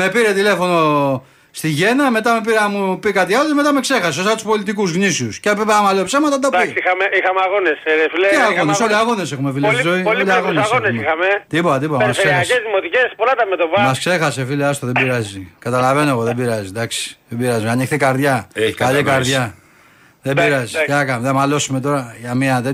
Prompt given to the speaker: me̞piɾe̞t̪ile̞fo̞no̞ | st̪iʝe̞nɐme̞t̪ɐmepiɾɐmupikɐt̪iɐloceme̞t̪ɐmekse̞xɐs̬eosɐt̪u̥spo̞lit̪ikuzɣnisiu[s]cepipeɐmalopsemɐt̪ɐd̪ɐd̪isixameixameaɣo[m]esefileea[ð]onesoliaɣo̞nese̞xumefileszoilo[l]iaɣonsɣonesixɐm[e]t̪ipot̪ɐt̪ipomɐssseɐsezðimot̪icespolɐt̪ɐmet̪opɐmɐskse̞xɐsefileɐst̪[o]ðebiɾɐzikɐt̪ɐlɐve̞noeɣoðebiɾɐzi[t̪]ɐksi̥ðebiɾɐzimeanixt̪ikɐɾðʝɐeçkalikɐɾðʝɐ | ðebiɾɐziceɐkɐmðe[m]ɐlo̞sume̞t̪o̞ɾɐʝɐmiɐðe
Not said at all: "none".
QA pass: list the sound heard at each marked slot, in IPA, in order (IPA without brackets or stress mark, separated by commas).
s, n, ɣ, l, e, o, d̪, m